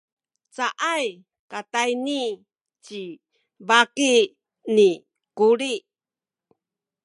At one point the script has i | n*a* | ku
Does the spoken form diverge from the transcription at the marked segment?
yes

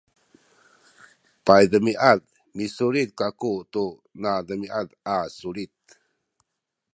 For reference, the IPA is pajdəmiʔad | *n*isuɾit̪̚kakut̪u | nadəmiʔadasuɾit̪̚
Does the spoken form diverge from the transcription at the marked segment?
yes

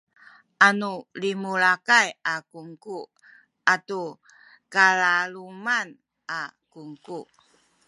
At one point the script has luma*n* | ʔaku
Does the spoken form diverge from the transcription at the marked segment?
no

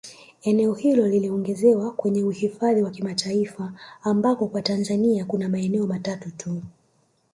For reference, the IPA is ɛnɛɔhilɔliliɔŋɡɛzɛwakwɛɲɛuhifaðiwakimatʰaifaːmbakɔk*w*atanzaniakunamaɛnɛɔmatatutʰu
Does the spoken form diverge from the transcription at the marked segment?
no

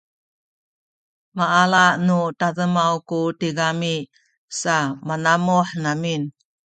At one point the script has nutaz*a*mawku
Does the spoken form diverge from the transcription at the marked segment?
yes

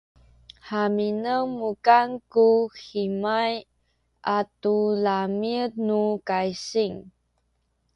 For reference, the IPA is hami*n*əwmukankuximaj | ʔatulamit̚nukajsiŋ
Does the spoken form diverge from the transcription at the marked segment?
no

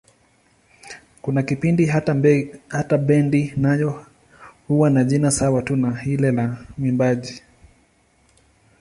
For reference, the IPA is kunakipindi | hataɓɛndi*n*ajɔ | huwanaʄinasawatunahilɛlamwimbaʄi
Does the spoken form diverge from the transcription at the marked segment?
no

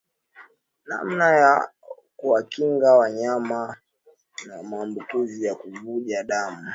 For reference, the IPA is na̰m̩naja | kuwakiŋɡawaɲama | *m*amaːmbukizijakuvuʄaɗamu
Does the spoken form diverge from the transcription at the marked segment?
yes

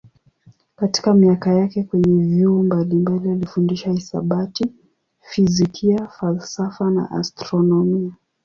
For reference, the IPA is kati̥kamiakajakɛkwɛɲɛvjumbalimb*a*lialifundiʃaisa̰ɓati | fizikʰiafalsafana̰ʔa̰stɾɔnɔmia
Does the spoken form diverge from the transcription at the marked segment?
no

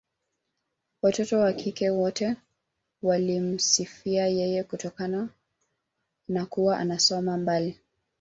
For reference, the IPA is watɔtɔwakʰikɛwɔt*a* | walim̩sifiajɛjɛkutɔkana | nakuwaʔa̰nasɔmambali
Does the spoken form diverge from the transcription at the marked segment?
yes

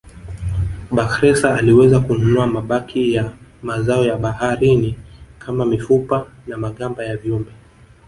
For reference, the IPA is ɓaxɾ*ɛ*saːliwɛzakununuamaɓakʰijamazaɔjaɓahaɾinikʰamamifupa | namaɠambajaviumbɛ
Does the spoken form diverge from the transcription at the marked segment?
no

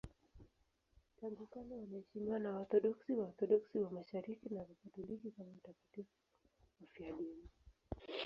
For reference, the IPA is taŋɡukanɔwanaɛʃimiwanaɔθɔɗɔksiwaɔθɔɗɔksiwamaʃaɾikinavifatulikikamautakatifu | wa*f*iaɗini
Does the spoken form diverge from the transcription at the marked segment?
no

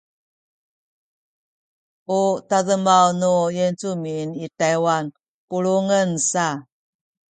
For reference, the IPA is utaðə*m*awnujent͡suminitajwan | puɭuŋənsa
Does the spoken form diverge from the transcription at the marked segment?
no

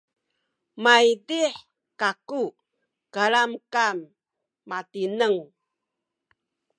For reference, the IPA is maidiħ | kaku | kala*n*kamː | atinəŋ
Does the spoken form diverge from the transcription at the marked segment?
yes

